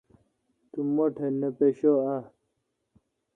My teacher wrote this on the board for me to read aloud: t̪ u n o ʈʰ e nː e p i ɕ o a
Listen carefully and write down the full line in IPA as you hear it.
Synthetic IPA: t̪ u m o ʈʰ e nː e p e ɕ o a